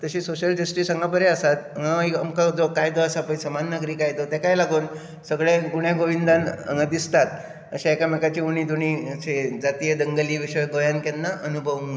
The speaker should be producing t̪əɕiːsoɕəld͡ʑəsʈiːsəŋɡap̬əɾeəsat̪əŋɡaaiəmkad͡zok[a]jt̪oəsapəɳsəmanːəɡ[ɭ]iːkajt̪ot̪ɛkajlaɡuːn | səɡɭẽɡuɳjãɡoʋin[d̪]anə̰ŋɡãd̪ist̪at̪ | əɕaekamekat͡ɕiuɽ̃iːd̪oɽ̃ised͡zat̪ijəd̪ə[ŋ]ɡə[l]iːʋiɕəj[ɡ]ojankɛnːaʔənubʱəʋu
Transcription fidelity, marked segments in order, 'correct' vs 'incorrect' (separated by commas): correct, incorrect, correct, correct, correct, correct